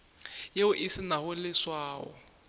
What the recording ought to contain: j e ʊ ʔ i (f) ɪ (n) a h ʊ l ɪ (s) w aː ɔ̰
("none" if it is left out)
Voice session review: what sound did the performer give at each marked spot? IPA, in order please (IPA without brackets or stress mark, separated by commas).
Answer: s, n, s